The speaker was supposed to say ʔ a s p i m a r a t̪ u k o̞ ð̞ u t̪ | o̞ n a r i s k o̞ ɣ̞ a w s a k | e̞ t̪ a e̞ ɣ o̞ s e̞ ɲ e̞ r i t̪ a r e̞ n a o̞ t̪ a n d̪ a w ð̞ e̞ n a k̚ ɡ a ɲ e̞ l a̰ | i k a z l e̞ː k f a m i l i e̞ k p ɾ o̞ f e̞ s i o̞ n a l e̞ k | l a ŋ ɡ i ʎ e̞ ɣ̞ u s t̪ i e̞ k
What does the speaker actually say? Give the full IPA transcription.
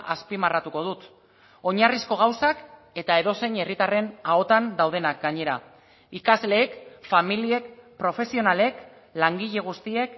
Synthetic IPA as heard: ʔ a s p i m a r a t̪ u k o̞ ð̞ u t̪ | o̞ ɲ a r i s k o̞ ɣ̞ a w s a k | e̞ t̪ a e̞ ð o̞ s e̞ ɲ e̞ r i t̪ a r e̞ n a o̞ t̪ a n d̪ a w ð̞ e̞ n a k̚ ɡ a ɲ e̞ ɾ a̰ | i k a z l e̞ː k f a m i l i e̞ k p ɾ o̞ f e̞ s i o̞ n a l e̞ k | l a ŋ ɡ i ʎ e̞ ɣ̞ u s t̪ i e̞ k